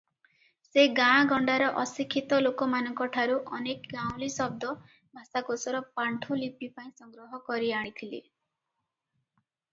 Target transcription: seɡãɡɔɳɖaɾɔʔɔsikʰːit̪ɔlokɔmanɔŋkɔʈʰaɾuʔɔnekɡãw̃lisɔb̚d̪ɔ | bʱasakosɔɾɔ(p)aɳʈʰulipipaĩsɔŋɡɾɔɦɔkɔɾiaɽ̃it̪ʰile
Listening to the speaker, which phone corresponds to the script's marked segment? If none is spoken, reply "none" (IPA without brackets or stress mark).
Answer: p